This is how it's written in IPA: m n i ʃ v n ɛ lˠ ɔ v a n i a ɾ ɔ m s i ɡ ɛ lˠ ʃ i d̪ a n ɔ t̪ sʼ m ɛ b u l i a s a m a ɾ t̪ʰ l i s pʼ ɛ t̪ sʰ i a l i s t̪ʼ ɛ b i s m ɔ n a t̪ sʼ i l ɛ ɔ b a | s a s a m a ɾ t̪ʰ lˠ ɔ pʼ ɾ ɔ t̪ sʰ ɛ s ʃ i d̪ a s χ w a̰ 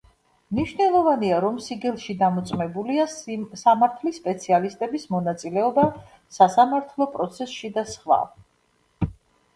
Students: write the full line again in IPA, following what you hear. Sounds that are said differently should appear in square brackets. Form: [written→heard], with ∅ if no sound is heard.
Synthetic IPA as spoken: m n i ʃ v n ɛ lˠ ɔ v a n i a ɾ ɔ m s i ɡ ɛ lˠ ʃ i d̪ a [n→m] ɔ t̪ sʼ m ɛ b u l i a s a m a ɾ t̪ʰ l i s pʼ ɛ t̪ sʰ i a l i s t̪ʼ ɛ b i s m ɔ n a t̪ sʼ i l ɛ ɔ b a | s a s a m a ɾ t̪ʰ lˠ ɔ pʼ ɾ ɔ t̪ sʰ ɛ s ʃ i d̪ a s χ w a̰